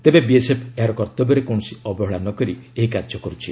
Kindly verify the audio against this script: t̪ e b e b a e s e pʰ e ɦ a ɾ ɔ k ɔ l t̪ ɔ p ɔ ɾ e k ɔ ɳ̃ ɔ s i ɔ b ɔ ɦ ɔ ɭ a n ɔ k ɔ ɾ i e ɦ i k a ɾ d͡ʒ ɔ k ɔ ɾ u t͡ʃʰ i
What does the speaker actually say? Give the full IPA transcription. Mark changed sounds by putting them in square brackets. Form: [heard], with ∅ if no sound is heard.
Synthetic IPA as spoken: t̪ e b e b [i] e s e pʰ e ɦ a ɾ ɔ k ɔ [ɾ] t̪ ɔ [b] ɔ ɾ e k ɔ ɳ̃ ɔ s i ɔ b ɔ ɦ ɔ ɭ a n ɔ k ɔ ɾ i e ɦ i k a ɾ d͡ʒ ɔ k ɔ ɾ u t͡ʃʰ i

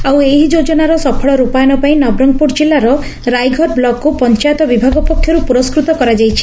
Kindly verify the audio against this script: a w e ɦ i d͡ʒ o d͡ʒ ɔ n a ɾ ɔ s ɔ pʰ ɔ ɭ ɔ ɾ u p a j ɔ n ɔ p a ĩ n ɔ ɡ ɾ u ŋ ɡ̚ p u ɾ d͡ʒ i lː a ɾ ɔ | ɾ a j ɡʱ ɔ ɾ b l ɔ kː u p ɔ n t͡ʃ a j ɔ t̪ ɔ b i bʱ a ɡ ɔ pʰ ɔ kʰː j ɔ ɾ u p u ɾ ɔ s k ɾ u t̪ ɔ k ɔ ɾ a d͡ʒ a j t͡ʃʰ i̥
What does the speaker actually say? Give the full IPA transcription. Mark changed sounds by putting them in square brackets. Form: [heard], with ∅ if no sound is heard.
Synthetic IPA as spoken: a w e ɦ i d͡ʒ o d͡ʒ ɔ n a ɾ ɔ s ɔ pʰ ɔ ɭ ɔ ɾ u p a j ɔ n ɔ p a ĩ n ɔ [b] ɾ [ɔ] ŋ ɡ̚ p u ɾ d͡ʒ i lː a ɾ ɔ | ɾ a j ɡʱ ɔ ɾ b l ɔ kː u p ɔ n t͡ʃ a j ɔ t̪ ɔ b i bʱ a ɡ ɔ [p] ɔ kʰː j ɔ ɾ u p u ɾ ɔ s k ɾ u t̪ ɔ k ɔ ɾ a d͡ʒ a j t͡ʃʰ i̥

